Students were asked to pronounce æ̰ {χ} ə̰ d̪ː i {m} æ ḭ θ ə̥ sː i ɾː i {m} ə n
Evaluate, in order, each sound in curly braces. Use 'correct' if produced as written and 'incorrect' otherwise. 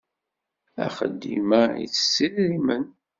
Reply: correct, correct, correct

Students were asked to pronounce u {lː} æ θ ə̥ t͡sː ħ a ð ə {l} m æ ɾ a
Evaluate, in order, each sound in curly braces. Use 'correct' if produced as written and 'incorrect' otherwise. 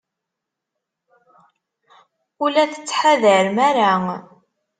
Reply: incorrect, incorrect

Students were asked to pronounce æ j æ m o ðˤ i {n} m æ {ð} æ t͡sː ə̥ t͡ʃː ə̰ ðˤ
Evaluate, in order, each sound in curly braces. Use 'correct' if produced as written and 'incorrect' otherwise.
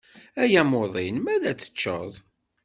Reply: correct, correct

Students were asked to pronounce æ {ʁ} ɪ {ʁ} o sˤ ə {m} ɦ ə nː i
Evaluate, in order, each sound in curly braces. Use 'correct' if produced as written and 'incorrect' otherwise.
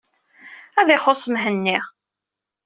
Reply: incorrect, incorrect, correct

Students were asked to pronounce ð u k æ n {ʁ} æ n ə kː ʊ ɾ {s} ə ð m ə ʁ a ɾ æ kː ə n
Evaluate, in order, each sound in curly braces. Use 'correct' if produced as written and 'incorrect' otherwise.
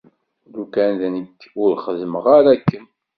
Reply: incorrect, incorrect

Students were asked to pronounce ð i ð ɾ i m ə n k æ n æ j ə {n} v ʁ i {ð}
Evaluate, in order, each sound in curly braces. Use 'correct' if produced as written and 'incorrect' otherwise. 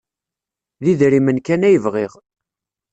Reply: incorrect, incorrect

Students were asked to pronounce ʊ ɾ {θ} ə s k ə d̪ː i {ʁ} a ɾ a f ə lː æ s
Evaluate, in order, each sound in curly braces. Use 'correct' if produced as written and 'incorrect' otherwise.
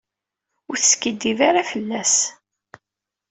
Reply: correct, incorrect

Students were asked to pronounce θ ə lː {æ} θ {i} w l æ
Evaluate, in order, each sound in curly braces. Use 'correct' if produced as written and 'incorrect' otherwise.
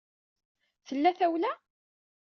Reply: correct, incorrect

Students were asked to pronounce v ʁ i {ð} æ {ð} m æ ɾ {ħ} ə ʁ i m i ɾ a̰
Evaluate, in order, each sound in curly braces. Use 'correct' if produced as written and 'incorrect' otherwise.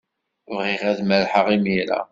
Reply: incorrect, correct, correct

